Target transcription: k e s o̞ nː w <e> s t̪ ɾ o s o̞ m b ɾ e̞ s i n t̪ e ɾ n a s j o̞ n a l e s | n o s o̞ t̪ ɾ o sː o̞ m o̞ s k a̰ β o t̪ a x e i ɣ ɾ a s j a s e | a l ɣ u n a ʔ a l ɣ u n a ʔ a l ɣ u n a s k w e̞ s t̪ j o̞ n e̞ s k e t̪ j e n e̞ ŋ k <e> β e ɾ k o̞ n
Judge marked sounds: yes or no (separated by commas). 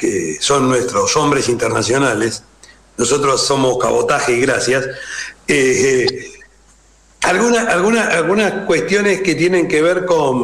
yes, yes